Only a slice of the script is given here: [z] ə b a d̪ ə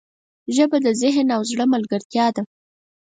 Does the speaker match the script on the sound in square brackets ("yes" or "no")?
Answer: no